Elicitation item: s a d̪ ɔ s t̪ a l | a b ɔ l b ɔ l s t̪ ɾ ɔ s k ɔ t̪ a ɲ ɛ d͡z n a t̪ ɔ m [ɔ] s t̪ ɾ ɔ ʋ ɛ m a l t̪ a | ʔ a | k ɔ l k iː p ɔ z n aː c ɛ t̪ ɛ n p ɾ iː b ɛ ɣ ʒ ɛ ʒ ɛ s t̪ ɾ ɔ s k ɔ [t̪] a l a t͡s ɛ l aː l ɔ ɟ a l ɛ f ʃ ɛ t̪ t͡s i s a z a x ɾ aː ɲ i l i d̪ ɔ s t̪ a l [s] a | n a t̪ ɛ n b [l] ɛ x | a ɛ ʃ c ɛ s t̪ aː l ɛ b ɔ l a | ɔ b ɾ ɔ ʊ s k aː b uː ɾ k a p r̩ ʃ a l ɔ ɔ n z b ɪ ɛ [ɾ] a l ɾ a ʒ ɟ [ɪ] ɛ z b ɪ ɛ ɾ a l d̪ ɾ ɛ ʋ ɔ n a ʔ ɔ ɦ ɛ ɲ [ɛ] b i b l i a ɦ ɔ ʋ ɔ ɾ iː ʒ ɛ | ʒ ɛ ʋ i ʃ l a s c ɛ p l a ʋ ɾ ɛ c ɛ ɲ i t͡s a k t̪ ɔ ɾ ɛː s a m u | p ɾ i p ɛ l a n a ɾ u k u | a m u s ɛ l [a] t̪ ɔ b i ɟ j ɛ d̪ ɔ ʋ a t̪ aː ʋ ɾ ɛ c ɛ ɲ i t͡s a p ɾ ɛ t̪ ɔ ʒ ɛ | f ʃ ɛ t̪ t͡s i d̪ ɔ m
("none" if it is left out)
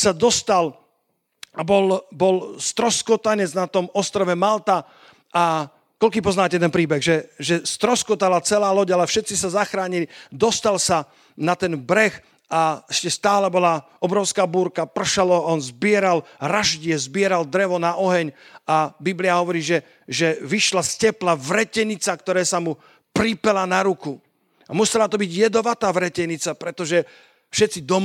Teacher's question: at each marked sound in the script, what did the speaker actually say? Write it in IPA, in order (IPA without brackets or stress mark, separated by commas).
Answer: ɔ, t̪, s, ɾ, ɾ, ɪ, a, a